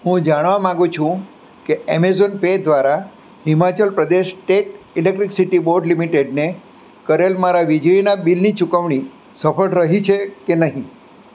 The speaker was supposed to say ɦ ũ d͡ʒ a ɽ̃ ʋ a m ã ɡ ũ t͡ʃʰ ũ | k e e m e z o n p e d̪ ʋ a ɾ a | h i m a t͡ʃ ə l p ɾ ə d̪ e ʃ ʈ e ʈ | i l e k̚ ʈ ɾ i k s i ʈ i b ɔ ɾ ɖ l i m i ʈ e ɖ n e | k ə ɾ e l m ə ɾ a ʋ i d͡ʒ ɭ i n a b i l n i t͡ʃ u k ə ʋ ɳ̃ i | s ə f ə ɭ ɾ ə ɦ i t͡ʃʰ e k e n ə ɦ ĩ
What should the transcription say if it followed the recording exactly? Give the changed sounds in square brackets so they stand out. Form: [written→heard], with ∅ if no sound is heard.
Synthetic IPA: ɦ ũ d͡ʒ a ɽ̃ ʋ a m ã ɡ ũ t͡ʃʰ ũ | k e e m e z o n p e d̪ ʋ a ɾ a | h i m a t͡ʃ ə l p ɾ ə d̪ e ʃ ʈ e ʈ | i l e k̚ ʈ ɾ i k s i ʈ i b [ɔ→o] ɾ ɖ l i m i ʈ e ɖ n e | k ə ɾ e l m [ə→a] ɾ a ʋ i d͡ʒ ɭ i n a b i l n i t͡ʃ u k ə ʋ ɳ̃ i | s ə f ə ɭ ɾ ə ɦ i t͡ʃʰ e k e n ə ɦ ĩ